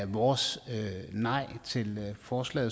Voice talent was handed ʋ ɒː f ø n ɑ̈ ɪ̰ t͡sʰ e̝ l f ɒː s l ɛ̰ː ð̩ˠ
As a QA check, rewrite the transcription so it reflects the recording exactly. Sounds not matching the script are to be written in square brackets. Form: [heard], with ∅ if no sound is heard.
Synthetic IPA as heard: ʋ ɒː [s] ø n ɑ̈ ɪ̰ t͡sʰ e̝ l f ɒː s l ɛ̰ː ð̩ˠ

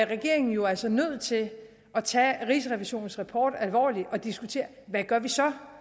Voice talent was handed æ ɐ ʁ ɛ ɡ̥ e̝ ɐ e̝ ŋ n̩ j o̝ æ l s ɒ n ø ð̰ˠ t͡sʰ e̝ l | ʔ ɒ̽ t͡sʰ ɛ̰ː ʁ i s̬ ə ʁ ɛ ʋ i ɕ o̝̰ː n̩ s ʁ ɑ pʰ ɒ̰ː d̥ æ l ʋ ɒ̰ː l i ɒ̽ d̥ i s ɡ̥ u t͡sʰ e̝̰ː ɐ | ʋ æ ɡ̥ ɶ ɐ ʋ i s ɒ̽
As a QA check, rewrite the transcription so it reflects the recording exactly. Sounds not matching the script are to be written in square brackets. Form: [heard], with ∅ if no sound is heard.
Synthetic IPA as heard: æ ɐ ʁ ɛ ɡ̥ e̝ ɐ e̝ ŋ n̩ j o̝ æ l s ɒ n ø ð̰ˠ t͡sʰ e̝ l | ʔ ɒ̽ t͡sʰ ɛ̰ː ʁ i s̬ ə ʁ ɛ ʋ i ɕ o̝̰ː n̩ s ʁ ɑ pʰ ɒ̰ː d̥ æ l ʋ ɒ̰ː l i ɒ̽ d̥ i s ɡ̥ u t͡sʰ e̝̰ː ɐ | ʋ æ ɡ̥ ɶ ɐ ʋ i s ɒ̽

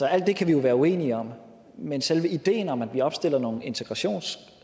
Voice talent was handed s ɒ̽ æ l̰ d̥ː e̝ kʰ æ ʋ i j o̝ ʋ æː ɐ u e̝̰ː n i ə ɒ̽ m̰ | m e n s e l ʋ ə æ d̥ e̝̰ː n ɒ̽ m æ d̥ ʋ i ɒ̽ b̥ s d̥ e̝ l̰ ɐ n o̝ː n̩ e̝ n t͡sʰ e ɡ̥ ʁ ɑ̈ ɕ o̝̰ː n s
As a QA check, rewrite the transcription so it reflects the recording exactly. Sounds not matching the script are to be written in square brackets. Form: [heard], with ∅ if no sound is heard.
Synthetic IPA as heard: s ɒ̽ æ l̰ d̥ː e̝ kʰ æ ʋ i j o̝ ʋ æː ɐ u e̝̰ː n i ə ɒ̽ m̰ | m e n s e l ʋ ə [i] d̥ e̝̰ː n ɒ̽ m æ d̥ ʋ i ɒ̽ b̥ s d̥ e̝ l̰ ɐ n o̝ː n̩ e̝ n t͡sʰ e ɡ̥ ʁ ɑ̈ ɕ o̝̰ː n s

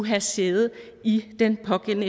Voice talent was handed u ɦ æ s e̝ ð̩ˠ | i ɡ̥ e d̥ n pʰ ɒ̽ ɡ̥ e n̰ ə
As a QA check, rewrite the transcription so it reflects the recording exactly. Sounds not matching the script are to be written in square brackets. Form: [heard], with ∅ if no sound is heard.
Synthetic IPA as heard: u ɦ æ s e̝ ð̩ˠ | i [d̥] e [∅] n pʰ ɒ̽ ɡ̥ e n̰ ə

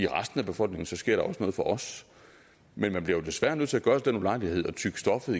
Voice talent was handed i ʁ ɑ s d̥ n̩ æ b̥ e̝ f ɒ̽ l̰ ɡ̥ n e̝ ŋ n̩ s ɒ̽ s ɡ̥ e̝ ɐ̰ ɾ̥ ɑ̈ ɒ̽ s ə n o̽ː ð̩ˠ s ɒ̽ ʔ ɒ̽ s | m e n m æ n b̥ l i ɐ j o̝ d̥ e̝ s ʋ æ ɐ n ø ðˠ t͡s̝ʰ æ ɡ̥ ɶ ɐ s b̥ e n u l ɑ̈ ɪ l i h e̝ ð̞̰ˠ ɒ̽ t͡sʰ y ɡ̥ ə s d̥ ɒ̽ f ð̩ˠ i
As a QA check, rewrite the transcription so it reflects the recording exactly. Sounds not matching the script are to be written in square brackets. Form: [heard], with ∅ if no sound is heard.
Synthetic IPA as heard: i ʁ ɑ s d̥ n̩ æ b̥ e̝ f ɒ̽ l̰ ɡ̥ n e̝ ŋ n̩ s ɒ̽ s ɡ̥ e̝ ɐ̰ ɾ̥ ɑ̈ ɒ̽ s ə n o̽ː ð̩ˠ [f] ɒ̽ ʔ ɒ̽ s | m e n m æ n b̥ l i ɐ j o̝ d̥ e̝ s ʋ æ ɐ n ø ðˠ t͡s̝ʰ æ ɡ̥ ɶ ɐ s [d̥] e n u l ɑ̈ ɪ l i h e̝ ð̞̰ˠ ɒ̽ t͡sʰ y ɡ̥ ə s d̥ ɒ̽ f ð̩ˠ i

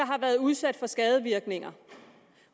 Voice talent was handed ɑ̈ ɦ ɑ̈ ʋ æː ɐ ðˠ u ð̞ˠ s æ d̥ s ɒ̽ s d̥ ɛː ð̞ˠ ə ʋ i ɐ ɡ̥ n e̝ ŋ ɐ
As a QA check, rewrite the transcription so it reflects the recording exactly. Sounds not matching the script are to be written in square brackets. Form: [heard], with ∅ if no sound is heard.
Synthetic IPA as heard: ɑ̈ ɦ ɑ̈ ʋ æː ɐ ðˠ u ð̞ˠ s æ d̥ [f] ɒ̽ s [ɡ̥] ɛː ð̞ˠ ə ʋ i ɐ ɡ̥ n e̝ ŋ ɐ

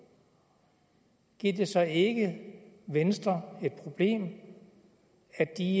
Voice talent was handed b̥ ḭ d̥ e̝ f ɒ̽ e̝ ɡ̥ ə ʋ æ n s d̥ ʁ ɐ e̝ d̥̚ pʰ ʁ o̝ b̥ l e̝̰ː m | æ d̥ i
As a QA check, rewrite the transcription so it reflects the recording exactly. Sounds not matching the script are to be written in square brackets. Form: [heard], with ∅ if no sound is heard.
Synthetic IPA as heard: [ɡ̥] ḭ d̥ e̝ [s] ɒ̽ e̝ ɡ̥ ə ʋ [e] n s d̥ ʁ ɐ e̝ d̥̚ pʰ ʁ o̝ b̥ l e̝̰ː m | æ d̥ i

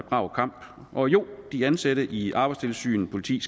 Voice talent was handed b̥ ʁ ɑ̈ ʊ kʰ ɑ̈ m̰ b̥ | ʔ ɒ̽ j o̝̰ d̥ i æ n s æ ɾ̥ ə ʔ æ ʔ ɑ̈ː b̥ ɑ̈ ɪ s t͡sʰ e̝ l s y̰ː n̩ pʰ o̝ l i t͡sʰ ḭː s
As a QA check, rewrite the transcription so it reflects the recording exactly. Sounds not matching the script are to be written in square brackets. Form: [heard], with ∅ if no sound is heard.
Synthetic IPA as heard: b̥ ʁ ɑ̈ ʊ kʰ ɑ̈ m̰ b̥ | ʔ ɒ̽ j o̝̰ d̥ i æ n s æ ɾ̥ ə ʔ [i] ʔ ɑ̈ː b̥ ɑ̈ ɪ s t͡sʰ e̝ l s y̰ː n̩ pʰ o̝ l i t͡sʰ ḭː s

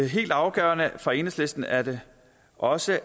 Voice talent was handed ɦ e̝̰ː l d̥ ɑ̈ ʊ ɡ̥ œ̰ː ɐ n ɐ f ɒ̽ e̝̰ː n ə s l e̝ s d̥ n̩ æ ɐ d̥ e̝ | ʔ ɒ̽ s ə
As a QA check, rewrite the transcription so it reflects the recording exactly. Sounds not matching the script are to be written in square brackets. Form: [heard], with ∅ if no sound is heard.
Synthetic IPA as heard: ɦ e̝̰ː l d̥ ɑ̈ ʊ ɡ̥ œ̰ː ɐ n [ə] f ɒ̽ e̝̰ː n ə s l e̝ s d̥ n̩ æ ɐ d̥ e̝ | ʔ ɒ̽ s ə

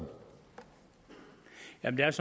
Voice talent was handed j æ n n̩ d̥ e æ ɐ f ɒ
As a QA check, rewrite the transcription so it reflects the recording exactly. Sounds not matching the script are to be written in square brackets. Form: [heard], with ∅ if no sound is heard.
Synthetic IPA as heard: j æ [m] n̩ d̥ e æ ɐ [s] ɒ

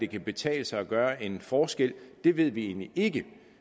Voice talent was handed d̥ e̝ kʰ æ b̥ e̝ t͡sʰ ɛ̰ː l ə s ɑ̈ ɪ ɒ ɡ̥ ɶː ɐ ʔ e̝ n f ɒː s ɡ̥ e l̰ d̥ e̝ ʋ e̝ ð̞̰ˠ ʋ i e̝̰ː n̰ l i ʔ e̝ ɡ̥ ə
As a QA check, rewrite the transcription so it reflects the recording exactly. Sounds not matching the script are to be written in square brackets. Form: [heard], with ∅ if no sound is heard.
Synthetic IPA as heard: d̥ e̝ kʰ æ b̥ e̝ t͡sʰ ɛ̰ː l ə s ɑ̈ ɪ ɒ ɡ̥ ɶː ɐ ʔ e̝ n f ɒː s ɡ̥ e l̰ d̥ e̝ ʋ e̝ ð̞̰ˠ ʋ i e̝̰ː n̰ l i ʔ e̝ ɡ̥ ə

